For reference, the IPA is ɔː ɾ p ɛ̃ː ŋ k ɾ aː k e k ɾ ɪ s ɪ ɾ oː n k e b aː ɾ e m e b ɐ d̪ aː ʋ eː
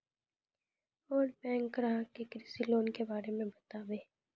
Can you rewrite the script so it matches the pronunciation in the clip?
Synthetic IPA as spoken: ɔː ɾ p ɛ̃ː ŋ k ɾ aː k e k ɾ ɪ s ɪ l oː n k e b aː ɾ e m ẽ b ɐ t̪ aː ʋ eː